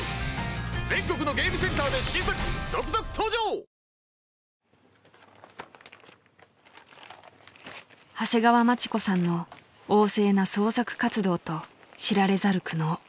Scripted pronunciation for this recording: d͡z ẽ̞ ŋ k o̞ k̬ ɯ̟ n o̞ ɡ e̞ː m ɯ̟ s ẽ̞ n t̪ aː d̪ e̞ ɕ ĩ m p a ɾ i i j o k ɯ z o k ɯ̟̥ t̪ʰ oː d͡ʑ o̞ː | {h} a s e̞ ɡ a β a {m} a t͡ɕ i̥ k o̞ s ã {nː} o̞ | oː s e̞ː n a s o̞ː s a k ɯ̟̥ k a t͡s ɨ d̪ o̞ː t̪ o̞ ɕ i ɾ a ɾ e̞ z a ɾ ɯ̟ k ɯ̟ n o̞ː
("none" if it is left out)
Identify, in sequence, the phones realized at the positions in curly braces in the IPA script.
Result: h, m, nː

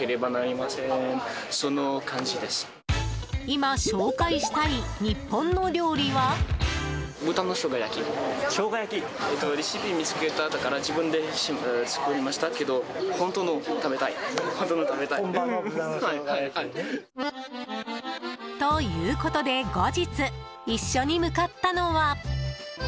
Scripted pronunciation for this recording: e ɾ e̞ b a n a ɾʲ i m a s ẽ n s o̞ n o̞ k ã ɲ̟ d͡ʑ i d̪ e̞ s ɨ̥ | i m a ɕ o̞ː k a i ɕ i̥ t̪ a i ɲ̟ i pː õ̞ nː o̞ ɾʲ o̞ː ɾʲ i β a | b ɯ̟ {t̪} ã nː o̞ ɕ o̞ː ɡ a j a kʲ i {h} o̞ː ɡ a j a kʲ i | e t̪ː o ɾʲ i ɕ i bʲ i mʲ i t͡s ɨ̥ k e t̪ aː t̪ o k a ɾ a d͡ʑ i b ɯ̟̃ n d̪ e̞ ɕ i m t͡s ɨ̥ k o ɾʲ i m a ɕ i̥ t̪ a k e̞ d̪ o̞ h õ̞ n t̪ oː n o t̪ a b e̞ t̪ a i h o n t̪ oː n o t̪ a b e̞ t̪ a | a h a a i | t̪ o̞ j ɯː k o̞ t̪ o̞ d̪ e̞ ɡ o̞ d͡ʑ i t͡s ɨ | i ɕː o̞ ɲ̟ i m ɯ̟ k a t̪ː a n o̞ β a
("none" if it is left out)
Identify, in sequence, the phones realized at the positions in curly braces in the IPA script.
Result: t̪, ɕ

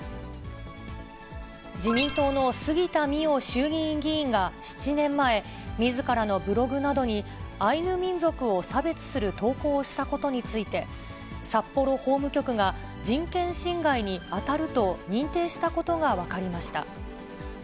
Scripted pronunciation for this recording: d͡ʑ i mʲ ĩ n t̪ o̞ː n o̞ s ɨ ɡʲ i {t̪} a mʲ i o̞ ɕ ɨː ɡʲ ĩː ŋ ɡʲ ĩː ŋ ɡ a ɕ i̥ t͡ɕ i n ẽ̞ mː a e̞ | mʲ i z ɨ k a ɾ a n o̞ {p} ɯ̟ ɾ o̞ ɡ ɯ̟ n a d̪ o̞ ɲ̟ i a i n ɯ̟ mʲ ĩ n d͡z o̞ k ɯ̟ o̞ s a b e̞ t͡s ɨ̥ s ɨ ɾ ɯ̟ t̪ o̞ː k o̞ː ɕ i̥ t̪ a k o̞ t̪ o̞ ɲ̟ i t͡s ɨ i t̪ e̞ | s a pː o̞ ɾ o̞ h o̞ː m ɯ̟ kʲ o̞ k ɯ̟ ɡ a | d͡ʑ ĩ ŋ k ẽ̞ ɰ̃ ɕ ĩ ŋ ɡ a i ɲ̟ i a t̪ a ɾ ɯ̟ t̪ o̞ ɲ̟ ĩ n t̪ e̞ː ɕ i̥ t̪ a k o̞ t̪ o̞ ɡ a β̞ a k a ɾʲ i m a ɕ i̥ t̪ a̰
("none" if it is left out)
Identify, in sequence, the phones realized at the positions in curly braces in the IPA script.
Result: t̪, b

